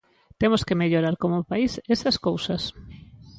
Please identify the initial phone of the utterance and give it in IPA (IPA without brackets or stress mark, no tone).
t̪